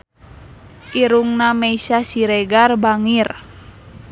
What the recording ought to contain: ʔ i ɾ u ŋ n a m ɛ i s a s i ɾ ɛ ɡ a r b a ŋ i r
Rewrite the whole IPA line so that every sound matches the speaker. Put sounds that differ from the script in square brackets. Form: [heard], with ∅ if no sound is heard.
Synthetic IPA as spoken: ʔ i ɾ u ŋ n a m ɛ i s a s i ɾ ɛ ɡ a r b a ŋ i r